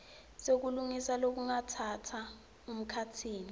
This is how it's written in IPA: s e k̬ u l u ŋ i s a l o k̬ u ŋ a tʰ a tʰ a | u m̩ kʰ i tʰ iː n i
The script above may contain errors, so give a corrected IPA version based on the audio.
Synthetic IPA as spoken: s e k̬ u l u ŋ i s a l o k̬ u ŋ a tʰ a tʰ a | u m̩ kʰ a tʰ iː n i

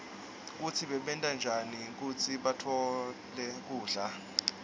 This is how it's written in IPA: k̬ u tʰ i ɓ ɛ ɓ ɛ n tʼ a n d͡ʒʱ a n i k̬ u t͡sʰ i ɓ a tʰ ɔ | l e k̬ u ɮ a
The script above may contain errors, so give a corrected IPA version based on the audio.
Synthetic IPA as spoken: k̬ u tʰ i ɓ ɛ ɓ ɛ n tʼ a n d͡ʒʱ a n i k̬ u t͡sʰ i ɓ a tʰ ɔ | l ɛ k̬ uː ɮ a

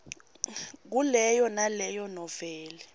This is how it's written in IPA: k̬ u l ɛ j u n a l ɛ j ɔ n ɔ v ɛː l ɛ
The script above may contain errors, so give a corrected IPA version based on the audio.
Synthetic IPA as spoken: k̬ u l ɛ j ɔ n a l ɛ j ɔ n ɔ v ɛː l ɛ

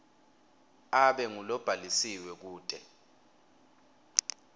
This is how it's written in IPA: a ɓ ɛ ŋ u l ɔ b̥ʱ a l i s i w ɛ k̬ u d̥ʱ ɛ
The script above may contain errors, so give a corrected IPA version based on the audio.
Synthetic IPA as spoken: a ɓ ɛ ŋ u l ɔ b̥ʱ a l i s i w ɛ k̬ uː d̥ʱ ɛ

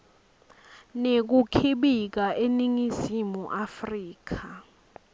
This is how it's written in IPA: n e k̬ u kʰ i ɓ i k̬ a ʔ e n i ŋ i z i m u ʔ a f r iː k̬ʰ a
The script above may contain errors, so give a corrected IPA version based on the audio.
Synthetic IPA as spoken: n e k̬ u kʰ i ɓ i k̬ a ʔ e n i ŋ i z i m u ʔ a f r iː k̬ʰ a

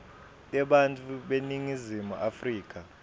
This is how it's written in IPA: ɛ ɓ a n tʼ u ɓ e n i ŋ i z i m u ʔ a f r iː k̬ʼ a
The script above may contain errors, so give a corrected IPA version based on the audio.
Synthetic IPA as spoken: ɛ ɓ a n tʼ u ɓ e n i ŋ i z i m u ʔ a f r iː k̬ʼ a

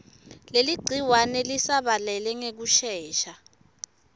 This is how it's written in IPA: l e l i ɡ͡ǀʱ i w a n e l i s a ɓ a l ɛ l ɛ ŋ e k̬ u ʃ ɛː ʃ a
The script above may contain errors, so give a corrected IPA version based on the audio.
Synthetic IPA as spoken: l e l i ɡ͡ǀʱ i w a n ɛ l i s a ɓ a l ɛ l ɛ ŋ e k̬ u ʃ ɛː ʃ a

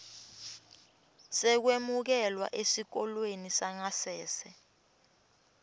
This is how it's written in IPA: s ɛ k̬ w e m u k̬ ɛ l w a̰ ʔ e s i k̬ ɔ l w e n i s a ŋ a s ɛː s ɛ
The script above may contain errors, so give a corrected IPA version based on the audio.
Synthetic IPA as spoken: s ɛ k̬ w e m u k̬ ɛ l w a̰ ʔ e s i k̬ ɔ l w e n i s a ŋ a s ɛː s ɛ

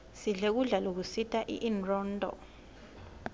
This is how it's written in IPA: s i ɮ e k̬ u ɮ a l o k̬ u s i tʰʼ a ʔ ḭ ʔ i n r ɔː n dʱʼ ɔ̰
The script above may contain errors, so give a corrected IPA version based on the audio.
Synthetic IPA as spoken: s i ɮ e k̬ u ɮ a l o k̬ u s i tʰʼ a ʔ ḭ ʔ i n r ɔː n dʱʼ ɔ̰

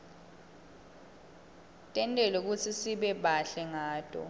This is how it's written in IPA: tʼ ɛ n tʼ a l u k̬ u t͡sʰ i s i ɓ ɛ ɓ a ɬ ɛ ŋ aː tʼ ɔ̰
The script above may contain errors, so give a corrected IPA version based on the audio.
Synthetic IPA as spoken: tʼ ɛ n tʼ ɛ l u k̬ u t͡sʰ i s i ɓ ɛ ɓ a ɬ ɛ ŋ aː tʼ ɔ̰

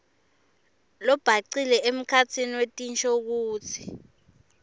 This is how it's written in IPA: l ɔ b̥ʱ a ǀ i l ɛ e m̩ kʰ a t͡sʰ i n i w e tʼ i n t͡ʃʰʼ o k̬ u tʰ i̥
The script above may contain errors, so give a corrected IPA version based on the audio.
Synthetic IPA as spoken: l ɔ b̥ʱ a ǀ i l ɛ e m̩ kʰ a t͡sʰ i n i w e tʼ i n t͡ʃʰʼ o k̬ uː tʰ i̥

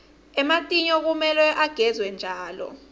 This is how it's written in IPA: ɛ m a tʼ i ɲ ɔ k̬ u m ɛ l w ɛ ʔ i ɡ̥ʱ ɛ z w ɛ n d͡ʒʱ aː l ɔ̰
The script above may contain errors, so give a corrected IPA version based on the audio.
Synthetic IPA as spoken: ɛ m a tʼ i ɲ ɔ k̬ u m ɛ l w ɛ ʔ a ɡ̥ʱ ɛ z w ɛ n d͡ʒʱ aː l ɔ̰

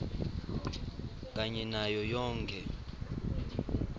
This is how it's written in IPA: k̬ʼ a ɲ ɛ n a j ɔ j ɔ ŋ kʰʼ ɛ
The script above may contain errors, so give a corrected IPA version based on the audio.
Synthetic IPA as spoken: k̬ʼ a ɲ ɛ n a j ɔ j ɔː ŋ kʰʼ ɛ

